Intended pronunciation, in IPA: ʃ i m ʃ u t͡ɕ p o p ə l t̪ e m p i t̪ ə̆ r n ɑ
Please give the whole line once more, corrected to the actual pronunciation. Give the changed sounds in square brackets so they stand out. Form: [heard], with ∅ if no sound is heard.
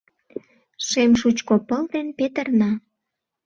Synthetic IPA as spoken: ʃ [e] m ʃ u t͡ɕ [k] o p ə l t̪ e [n] p [e] t̪ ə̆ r n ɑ